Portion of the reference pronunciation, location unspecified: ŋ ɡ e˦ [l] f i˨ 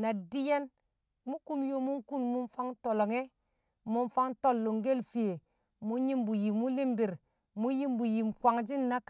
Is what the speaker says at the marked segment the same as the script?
yes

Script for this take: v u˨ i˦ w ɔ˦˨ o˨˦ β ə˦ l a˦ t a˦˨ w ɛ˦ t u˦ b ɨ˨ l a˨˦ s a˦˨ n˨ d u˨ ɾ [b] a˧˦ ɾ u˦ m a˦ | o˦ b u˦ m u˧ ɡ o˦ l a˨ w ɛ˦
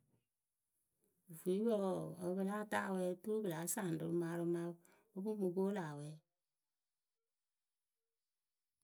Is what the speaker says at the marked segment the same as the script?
no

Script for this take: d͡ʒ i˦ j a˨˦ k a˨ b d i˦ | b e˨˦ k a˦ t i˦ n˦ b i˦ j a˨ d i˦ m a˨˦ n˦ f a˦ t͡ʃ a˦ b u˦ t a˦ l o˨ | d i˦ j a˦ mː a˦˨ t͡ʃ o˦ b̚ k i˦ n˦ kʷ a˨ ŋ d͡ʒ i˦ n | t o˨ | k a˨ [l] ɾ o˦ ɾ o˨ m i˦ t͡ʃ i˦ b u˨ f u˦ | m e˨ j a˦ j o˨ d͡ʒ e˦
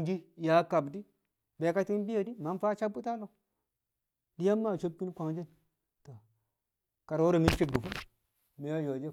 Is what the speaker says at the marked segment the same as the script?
no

